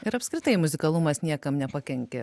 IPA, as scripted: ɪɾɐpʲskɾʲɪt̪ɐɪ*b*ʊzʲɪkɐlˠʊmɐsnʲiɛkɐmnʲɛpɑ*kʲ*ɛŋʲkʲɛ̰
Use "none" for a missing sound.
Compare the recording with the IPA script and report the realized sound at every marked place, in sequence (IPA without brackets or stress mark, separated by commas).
m, kʲ